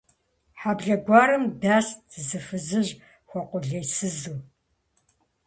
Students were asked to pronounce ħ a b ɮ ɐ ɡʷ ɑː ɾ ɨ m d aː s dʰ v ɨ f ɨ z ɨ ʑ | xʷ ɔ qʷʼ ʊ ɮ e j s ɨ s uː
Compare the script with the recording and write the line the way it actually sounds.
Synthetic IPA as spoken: ħ a b ɮ ɐ ɡʷ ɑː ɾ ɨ m d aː s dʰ z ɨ f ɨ z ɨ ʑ | xʷ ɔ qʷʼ ʊ ɮ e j s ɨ z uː